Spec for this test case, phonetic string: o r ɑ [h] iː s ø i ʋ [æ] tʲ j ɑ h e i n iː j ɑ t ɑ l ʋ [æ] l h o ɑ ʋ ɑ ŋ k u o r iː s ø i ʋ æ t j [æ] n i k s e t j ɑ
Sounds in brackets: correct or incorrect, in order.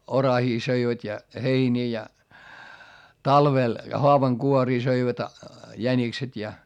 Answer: correct, correct, incorrect: e, correct

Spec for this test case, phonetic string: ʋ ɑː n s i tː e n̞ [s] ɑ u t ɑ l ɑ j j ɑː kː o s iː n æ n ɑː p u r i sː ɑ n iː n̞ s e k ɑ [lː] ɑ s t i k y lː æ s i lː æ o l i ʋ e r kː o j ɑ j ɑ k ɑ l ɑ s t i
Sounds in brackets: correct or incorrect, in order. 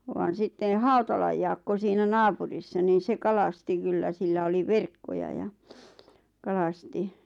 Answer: incorrect: h, incorrect: l

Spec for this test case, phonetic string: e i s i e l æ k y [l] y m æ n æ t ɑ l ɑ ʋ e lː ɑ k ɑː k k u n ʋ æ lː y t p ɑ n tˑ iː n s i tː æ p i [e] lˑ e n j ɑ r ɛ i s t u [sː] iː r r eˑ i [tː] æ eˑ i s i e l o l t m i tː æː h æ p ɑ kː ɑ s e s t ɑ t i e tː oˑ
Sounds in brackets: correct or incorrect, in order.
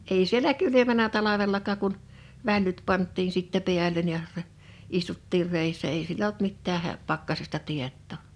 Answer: correct, incorrect: æ, incorrect: tː, incorrect: sː

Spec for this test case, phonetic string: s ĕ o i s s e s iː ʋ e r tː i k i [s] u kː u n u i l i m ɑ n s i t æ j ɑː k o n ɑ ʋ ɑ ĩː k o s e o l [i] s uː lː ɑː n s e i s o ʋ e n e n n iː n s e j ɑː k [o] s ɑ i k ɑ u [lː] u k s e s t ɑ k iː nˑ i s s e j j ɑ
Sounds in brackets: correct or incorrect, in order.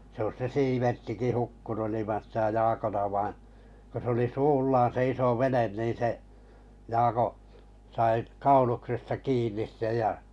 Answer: incorrect: h, correct, correct, incorrect: l

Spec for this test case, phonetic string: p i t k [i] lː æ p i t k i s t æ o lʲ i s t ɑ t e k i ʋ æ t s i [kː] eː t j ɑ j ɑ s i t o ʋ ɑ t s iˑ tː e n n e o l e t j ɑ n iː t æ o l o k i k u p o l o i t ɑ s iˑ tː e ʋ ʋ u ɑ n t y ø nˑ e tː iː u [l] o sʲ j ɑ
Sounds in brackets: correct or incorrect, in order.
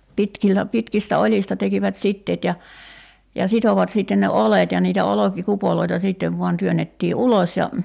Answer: correct, incorrect: tː, correct

